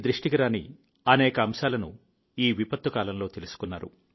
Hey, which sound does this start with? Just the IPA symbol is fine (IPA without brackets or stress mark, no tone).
d̪